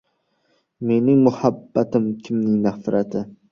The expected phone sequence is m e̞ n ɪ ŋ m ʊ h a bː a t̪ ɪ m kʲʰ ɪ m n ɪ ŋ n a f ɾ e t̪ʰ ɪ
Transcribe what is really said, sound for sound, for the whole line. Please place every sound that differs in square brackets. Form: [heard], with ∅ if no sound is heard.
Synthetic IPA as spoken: m e̞ n ɪ ŋ m ʊ h a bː a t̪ ɪ m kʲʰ ɪ m n ɪ ŋ n a f ɾ [a] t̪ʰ ɪ